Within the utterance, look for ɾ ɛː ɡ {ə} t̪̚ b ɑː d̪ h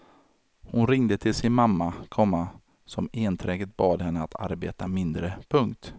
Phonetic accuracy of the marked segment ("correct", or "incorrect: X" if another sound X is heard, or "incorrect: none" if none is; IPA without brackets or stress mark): correct